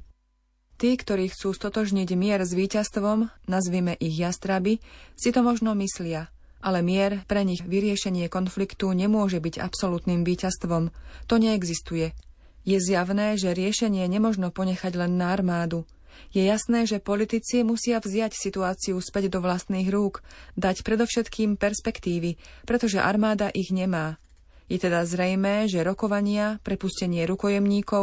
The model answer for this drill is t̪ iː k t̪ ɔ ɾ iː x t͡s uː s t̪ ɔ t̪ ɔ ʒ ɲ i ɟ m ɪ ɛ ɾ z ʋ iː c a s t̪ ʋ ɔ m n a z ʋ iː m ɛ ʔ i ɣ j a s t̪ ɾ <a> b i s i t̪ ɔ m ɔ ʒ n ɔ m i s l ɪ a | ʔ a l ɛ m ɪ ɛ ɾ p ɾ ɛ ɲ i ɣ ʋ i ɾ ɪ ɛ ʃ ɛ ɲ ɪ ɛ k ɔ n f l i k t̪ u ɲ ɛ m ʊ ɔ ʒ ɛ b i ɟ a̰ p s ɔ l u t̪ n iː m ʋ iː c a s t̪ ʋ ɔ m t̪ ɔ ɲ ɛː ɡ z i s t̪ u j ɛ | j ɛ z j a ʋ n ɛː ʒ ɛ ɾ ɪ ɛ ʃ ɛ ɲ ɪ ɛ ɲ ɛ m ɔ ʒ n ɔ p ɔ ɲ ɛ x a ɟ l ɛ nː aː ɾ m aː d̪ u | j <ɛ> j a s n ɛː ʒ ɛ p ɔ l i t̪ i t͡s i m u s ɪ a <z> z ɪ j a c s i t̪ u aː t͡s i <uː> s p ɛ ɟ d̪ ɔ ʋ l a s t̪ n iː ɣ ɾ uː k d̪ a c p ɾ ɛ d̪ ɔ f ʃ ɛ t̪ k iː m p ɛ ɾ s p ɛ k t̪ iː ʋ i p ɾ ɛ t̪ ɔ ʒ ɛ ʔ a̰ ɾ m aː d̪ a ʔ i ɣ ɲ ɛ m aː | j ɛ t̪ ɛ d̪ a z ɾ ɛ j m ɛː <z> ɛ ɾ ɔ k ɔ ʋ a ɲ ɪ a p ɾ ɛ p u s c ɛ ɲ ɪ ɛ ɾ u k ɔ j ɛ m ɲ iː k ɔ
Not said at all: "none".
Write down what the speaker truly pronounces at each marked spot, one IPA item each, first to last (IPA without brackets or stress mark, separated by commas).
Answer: a, ɛ, v, u, ʒ